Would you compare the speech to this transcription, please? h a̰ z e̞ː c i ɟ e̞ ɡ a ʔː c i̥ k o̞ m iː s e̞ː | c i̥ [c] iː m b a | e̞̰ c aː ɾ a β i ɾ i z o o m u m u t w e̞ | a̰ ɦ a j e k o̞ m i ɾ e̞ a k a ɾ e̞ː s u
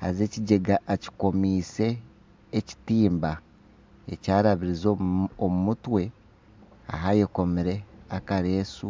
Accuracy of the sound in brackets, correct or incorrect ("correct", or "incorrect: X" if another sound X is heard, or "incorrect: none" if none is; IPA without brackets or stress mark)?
incorrect: t